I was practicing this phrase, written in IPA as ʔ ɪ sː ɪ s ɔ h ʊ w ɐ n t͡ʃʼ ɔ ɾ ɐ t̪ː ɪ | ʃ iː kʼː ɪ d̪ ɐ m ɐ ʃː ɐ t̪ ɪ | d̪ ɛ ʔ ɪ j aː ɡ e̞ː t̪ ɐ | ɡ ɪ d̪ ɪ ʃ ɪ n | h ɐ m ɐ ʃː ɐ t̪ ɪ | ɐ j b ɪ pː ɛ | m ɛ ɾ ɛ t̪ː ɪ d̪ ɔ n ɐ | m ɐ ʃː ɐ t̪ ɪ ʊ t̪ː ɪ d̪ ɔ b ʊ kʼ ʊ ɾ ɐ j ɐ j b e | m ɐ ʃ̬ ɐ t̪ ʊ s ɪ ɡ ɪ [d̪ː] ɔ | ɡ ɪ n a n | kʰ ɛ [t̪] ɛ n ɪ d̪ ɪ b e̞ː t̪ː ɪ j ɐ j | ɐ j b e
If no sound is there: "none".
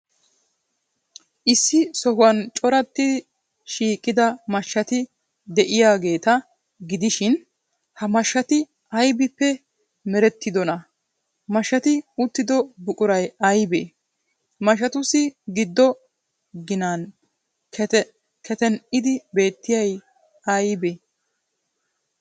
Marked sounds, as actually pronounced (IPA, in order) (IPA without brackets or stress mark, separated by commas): d̪ː, t̪